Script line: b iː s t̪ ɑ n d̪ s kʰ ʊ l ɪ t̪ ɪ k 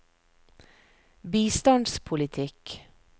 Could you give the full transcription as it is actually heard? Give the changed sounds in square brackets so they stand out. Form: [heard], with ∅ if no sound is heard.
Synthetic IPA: b iː s t̪ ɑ n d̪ s [pʰ] ʊ l ɪ [t̪ʰ] ɪ k